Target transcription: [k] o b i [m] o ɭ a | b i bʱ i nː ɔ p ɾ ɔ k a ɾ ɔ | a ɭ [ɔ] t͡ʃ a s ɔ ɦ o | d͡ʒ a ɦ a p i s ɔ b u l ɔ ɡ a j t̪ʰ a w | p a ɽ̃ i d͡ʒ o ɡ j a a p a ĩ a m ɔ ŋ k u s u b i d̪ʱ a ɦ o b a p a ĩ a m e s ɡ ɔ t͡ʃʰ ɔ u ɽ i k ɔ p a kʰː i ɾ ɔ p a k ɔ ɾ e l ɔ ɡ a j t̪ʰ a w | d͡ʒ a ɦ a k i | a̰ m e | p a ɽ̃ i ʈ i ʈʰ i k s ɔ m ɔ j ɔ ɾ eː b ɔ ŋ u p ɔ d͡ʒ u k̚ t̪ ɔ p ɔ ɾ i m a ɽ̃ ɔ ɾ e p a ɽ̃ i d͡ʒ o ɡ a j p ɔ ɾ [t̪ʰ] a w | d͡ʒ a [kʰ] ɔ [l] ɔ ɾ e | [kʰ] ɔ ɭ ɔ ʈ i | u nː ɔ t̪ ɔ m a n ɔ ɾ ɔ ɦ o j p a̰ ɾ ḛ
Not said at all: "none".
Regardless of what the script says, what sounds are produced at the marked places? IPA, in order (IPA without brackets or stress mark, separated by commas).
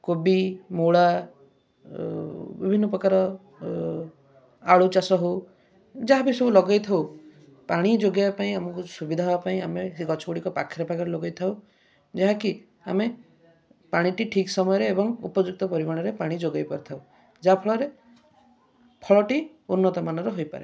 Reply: k, m, u, t̪ʰ, pʰ, ɭ, pʰ